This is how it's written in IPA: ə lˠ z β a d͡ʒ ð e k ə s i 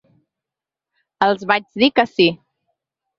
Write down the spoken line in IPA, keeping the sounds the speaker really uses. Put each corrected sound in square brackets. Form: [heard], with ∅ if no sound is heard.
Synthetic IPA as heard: ə lˠ z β a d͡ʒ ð [i] k ə s i